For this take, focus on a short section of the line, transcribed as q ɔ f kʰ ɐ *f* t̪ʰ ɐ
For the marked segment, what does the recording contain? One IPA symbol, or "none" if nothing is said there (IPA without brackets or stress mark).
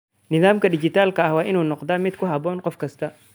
s